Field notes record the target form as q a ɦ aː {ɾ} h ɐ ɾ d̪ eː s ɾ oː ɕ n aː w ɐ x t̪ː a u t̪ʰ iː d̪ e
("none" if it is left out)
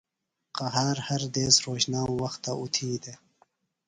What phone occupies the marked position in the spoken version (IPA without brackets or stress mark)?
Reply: ɾ